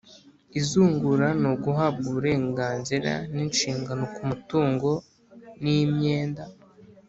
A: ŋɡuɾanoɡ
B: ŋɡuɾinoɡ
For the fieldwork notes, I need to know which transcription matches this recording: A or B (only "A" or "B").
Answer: A